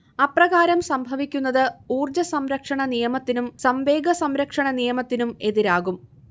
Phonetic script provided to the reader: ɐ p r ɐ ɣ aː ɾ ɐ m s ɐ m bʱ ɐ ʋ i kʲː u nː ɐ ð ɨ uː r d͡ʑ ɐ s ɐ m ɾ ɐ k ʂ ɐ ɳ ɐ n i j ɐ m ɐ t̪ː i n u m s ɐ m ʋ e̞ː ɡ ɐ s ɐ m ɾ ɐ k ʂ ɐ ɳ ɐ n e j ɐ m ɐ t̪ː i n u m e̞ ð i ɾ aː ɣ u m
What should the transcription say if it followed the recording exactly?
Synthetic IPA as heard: ɐ p r ɐ ɣ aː ɾ ɐ m s ɐ m bʱ ɐ ʋ i kʲː u nː ɐ ð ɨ uː r d͡ʑ ɐ s ɐ m ɾ ɐ k ʂ ɐ ɳ ɐ n i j ɐ m ɐ t̪ː i n u m s ɐ m ʋ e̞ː ɡ ɐ s ɐ m ɾ ɐ k ʂ ɐ ɳ ɐ n i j ɐ m ɐ t̪ː i n u m e̞ ð i ɾ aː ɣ u m